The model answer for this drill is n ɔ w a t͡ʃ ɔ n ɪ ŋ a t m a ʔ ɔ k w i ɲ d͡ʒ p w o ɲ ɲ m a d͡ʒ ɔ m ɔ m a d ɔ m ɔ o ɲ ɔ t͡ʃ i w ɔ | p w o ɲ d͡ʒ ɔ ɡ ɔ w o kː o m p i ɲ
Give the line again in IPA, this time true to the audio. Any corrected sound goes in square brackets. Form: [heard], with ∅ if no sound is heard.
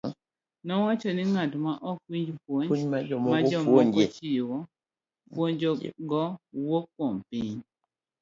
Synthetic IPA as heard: n ɔ w a t͡ʃ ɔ n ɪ ŋ a t m a ʔ ɔ k w i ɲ d͡ʒ p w o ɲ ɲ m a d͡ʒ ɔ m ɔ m a [d͡ʒ] ɔ m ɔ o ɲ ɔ t͡ʃ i w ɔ | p w o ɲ d͡ʒ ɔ ɡ ɔ w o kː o m p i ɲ

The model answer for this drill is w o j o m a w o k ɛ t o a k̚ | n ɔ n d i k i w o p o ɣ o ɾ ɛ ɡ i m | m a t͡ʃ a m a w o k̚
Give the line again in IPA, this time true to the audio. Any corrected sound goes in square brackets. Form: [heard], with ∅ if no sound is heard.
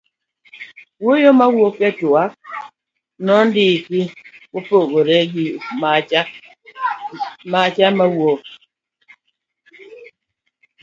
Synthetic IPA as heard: w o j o m a w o k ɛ t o a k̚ | n ɔ n d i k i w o p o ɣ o ɾ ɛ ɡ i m | m a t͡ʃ a m a w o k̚

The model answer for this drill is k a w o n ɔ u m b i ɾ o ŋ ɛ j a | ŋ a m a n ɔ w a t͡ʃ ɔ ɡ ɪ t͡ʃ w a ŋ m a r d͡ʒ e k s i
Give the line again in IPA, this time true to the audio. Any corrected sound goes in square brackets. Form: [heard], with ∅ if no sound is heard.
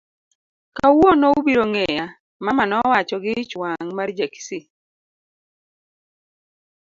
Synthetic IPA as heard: k a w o n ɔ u [∅] b i ɾ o ŋ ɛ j a | [m] a m a n ɔ w a t͡ʃ ɔ ɡ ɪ t͡ʃ w a ŋ m a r d͡ʒ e k s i

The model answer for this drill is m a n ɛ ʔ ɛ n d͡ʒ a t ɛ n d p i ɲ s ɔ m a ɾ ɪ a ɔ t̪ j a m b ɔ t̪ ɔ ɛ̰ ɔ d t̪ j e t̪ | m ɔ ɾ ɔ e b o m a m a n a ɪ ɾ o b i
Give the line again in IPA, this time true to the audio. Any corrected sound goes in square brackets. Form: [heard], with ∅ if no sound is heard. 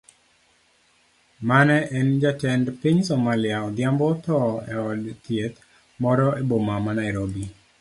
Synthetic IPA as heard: m a n ɛ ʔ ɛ n d͡ʒ a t ɛ n d p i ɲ s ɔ m a [l] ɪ a ɔ [d̪] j a m b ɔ t̪ ɔ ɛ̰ ɔ d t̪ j e t̪ | m ɔ ɾ ɔ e b o m a m a n a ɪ ɾ o b i

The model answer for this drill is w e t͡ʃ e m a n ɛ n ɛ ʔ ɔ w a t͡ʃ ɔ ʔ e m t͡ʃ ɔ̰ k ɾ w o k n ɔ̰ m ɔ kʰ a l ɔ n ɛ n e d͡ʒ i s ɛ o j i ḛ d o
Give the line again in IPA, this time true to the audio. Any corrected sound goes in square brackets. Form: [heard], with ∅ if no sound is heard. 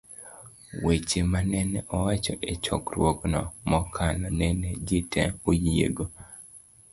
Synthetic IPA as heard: w e t͡ʃ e m a n ɛ n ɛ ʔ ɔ w a t͡ʃ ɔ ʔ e [∅] t͡ʃ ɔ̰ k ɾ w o k n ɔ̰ m ɔ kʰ a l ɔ n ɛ n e d͡ʒ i [t] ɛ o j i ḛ [ɡ] o

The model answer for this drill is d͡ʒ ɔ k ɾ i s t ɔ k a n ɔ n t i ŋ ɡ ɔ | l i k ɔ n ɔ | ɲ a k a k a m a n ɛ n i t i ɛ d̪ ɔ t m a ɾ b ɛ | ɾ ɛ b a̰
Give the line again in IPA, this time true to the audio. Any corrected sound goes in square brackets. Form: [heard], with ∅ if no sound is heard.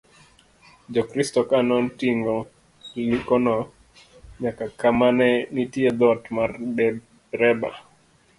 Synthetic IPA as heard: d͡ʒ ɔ k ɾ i s t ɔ k a n ɔ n t i ŋ ɡ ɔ | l i k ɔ n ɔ | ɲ a k a k a m a n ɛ n i t i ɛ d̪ ɔ t m a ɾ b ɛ | ɾ ɛ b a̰

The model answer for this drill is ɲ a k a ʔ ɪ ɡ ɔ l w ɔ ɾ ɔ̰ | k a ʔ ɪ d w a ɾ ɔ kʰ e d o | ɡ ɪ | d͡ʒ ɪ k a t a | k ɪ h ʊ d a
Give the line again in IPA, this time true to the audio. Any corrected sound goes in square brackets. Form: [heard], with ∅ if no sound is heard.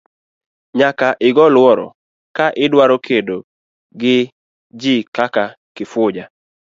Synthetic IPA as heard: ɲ a k a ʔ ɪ ɡ ɔ l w ɔ ɾ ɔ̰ | k a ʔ ɪ d w a ɾ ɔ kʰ e d o | ɡ ɪ | d͡ʒ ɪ k a [k] a | k ɪ [f] ʊ [d͡ʒ] a

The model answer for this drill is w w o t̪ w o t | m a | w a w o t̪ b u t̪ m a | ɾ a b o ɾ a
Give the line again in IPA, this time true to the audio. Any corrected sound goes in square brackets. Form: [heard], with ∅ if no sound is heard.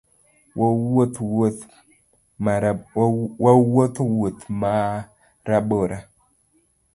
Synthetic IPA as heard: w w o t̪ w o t | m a | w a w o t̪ [w] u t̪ m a | ɾ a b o ɾ a

